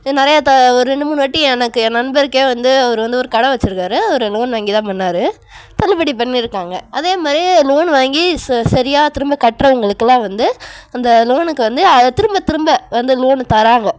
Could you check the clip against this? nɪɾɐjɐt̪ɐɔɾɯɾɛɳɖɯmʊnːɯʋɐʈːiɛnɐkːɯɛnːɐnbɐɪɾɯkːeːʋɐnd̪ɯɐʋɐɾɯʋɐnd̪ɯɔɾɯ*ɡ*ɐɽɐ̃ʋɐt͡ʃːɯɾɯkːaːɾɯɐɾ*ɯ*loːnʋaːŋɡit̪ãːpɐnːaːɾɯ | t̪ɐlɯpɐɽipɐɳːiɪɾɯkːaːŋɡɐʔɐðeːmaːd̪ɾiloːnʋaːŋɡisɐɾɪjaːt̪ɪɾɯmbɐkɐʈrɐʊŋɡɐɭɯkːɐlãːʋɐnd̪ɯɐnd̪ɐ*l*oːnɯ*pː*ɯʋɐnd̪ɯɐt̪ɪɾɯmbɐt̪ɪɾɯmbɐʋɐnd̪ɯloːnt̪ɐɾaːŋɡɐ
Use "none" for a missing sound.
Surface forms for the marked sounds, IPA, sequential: k, ɯ, l, kː

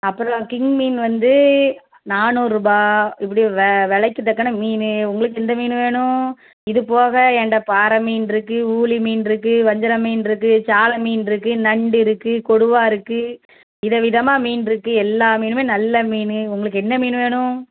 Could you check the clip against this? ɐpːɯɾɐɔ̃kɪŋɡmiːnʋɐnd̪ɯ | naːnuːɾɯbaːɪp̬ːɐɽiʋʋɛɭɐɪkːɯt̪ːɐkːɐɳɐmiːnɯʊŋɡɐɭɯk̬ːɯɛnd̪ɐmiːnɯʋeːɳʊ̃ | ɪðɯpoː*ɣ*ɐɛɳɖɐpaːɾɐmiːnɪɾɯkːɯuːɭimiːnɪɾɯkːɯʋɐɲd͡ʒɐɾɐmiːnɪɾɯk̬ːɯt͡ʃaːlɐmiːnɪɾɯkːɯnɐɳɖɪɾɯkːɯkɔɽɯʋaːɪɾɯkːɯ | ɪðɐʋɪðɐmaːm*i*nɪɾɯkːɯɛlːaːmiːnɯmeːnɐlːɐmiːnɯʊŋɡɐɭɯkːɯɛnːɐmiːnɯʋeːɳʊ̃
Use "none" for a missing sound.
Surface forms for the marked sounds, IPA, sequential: ɣ, iː

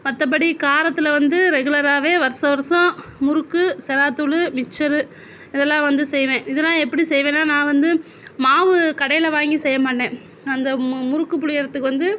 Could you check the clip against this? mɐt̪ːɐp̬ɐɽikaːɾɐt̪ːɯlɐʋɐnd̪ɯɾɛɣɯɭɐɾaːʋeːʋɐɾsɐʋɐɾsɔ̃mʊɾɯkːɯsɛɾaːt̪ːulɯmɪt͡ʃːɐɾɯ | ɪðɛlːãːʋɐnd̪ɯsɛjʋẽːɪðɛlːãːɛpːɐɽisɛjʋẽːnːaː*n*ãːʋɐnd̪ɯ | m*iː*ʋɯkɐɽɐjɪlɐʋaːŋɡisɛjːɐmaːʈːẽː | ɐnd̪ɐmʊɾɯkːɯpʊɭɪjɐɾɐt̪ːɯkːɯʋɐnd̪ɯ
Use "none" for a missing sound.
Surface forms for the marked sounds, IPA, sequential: n, aː

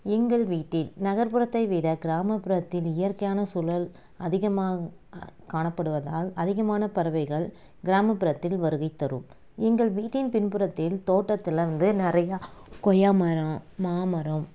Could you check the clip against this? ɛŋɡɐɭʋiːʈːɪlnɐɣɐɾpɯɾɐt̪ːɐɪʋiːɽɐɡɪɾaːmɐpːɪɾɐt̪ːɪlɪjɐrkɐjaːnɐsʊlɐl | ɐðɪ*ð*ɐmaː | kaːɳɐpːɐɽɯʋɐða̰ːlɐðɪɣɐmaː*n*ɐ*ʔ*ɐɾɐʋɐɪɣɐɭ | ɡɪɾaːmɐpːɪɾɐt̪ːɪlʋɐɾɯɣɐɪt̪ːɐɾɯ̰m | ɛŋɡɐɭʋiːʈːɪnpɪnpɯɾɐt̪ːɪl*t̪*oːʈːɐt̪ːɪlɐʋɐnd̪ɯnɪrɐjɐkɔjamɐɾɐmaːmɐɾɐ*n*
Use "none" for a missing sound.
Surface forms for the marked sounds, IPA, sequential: ɣ, n, p, t̪, m

